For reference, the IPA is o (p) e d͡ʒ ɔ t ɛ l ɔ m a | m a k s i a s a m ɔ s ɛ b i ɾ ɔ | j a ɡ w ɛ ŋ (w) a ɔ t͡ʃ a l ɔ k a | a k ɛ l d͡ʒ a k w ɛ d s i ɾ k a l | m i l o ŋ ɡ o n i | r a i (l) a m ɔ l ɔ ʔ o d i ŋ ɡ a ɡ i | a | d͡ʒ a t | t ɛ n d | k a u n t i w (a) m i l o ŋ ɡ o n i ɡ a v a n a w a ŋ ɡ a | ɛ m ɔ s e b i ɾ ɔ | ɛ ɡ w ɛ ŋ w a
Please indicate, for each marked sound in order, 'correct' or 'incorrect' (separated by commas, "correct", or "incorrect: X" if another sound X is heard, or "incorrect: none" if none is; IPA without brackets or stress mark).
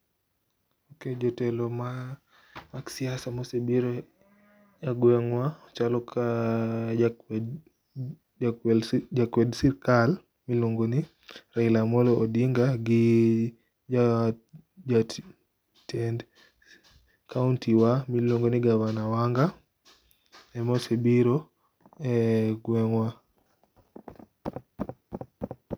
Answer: incorrect: k, correct, correct, correct